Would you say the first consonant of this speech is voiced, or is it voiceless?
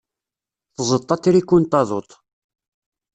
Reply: voiceless